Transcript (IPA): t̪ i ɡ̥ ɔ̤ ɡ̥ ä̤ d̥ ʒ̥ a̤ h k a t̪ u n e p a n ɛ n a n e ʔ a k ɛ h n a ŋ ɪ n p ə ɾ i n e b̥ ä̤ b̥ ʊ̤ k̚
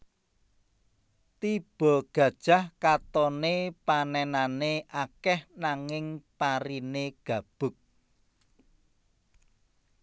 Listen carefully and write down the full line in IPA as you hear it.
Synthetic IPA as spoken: t̪ i b̥ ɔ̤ ɡ̥ ä̤ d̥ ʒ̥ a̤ h k a t̪ ɔ n e p a n ɛ n a n e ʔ a k ɛ h n a ŋ ɪ ŋ p a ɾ i n e ɡ̥ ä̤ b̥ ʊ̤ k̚